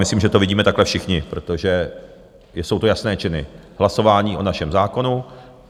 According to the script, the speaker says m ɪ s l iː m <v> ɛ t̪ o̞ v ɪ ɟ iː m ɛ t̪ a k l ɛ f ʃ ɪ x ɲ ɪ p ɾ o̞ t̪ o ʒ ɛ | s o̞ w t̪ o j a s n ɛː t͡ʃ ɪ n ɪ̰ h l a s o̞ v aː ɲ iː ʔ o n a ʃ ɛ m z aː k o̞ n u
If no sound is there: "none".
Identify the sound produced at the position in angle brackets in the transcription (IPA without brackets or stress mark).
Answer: ʒ